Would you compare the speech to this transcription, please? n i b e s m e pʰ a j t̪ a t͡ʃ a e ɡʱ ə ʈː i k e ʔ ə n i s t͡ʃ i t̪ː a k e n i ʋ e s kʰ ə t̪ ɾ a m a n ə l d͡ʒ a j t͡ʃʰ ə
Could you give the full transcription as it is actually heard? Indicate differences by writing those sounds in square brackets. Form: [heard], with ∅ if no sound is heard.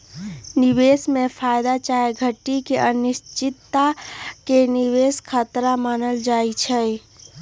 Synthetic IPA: n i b e s m e pʰ a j [d̪] a t͡ʃ a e ɡʱ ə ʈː i k e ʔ ə n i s t͡ʃ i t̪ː a k e n i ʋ e s kʰ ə t̪ ɾ a m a n ə l d͡ʒ a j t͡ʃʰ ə